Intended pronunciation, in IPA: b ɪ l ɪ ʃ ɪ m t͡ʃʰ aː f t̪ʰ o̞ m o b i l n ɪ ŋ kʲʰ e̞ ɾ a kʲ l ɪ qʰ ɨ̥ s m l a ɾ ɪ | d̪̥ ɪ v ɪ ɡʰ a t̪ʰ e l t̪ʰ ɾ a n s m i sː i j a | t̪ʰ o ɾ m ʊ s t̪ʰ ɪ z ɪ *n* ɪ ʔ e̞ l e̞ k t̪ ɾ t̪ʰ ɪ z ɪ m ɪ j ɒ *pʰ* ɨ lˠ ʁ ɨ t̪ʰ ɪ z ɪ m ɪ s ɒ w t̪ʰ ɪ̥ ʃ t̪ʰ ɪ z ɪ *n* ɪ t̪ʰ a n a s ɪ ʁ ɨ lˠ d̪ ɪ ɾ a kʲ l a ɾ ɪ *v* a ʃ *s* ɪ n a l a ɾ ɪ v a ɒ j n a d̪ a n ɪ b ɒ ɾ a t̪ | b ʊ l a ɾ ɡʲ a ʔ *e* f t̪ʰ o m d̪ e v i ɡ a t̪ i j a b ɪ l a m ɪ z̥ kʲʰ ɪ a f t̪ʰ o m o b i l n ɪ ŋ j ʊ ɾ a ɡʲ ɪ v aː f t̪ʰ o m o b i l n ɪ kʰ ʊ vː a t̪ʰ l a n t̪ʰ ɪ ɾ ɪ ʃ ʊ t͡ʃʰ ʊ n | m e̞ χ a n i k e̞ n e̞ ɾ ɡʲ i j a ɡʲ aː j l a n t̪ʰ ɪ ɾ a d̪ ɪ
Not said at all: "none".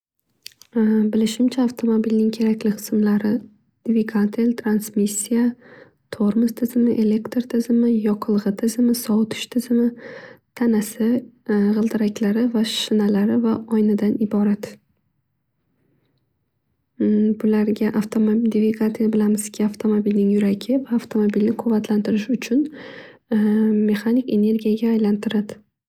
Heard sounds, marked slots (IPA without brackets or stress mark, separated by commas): m, qʰ, m, v, ʃ, a